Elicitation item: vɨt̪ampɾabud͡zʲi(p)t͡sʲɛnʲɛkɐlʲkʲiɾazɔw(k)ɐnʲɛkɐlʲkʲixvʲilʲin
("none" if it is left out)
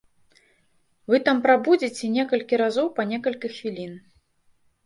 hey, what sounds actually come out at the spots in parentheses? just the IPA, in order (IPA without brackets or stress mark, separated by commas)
none, p